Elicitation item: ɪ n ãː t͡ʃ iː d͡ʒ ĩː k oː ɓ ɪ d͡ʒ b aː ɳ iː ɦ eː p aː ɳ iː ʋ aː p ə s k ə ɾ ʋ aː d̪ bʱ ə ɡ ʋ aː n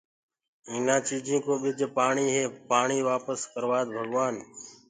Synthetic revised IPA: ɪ n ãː t͡ʃ iː d͡ʒ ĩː k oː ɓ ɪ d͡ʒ p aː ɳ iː ɦ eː p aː ɳ iː ʋ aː p ə s k ə ɾ ʋ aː d̪ bʱ ə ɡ ʋ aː n